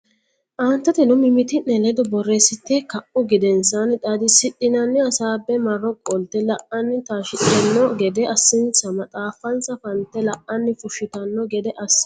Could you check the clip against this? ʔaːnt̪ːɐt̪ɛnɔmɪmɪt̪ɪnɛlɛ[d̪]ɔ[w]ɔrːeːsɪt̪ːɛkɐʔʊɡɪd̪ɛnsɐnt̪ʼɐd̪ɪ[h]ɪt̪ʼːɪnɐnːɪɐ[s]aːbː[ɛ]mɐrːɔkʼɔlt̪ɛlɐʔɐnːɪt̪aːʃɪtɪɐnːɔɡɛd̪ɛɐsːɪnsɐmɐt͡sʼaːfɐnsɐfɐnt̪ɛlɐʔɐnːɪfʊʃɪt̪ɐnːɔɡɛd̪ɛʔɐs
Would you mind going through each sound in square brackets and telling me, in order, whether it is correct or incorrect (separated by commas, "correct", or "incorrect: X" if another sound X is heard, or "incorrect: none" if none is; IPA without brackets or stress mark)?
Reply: correct, incorrect: b, incorrect: s, correct, correct